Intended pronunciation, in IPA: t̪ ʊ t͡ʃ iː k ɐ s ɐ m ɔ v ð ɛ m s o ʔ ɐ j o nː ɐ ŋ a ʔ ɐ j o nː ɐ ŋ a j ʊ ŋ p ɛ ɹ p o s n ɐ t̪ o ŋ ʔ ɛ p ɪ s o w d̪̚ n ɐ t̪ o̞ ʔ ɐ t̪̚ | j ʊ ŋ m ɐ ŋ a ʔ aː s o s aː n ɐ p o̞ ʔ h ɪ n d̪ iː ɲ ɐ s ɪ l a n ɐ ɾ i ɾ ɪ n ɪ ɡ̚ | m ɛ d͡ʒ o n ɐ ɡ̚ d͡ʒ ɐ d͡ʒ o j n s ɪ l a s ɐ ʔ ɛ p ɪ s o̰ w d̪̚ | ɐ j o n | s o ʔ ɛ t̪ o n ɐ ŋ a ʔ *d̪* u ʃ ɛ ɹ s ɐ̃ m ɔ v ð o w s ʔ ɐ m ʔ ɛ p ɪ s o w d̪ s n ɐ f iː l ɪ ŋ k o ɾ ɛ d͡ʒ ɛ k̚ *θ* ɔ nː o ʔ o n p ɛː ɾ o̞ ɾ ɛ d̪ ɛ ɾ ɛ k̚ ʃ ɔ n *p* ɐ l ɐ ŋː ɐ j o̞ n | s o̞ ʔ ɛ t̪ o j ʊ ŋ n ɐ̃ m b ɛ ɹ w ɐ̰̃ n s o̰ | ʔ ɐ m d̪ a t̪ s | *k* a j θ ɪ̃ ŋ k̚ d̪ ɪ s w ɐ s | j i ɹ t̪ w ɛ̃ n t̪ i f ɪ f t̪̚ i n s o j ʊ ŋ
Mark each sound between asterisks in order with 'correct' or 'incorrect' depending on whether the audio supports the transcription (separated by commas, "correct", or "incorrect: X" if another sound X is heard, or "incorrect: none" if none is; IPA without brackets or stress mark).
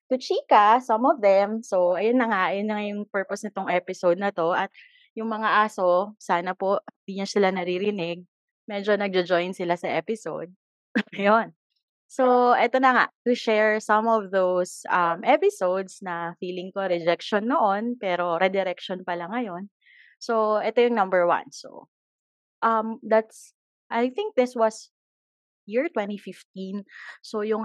incorrect: t̪, incorrect: ʃ, correct, incorrect: ʔ